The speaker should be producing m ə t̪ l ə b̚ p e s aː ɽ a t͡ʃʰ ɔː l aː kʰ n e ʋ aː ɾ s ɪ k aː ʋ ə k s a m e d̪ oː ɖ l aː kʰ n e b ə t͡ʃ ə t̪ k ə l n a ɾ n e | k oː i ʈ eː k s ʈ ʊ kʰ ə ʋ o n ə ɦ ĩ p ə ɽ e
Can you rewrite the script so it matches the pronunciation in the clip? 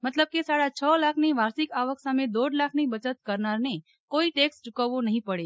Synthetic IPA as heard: m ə t̪ l ə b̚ k e s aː ɽ a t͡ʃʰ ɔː l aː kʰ n e ʋ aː ɾ s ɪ k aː ʋ ə k s a m e d̪ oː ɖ l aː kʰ n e b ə t͡ʃ ə t̪ k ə ɾ n a ɾ n e | k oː i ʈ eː k s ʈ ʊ k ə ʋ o n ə ɦ ĩ p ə ɽ e